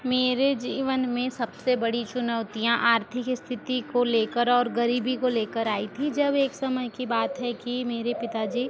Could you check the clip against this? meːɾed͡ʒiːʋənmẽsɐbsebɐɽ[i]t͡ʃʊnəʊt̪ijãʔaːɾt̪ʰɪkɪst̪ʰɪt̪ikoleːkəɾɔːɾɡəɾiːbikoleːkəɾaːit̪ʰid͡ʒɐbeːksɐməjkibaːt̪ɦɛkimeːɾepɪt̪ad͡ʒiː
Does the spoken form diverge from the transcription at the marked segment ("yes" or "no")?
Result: no